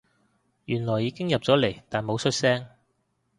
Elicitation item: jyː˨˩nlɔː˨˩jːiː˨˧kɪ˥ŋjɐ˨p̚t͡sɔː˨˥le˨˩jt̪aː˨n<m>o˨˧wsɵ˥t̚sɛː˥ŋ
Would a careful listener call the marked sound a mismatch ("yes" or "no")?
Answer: no